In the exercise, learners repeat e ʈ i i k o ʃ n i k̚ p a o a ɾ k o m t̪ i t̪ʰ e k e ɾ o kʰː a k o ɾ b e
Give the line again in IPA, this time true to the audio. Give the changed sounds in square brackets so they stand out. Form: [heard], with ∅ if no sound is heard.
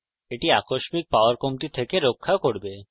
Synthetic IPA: e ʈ i [a] k o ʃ [m] i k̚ p a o a ɾ k o m t̪ i t̪ʰ e k e ɾ o kʰː a k o ɾ b e